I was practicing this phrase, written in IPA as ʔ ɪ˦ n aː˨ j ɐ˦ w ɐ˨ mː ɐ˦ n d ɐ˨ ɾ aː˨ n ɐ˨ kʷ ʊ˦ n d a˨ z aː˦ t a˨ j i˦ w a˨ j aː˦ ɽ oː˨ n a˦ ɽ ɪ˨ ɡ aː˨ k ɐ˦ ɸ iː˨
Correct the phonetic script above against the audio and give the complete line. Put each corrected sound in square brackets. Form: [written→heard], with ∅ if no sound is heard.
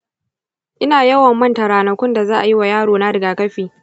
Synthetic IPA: ʔ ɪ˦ n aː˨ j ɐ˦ w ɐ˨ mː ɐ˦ n [d→t] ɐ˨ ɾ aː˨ n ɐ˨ kʷ ʊ˦ n d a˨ z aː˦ [t→ʔ] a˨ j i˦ w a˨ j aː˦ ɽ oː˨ n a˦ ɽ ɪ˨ ɡ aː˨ k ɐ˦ ɸ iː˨